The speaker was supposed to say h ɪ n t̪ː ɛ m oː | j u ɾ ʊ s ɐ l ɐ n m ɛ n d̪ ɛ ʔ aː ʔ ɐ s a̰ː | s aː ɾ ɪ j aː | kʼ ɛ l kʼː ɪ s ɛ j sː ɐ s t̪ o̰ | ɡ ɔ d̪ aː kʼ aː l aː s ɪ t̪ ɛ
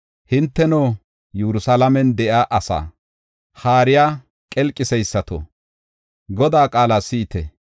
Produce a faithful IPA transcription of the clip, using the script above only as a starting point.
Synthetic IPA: h ɪ n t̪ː ɛ n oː | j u ɾ ʊ s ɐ l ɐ m ɛ n d̪ ɛ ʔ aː ʔ ɐ s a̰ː | h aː ɾ ɪ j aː | kʼ ɛ l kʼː ɪ s ɛ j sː ɐ t̪ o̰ | ɡ ɔ d̪ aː kʼ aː l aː s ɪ t̪ ɛ